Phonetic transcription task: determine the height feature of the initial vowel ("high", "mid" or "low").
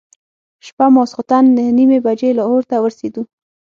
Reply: low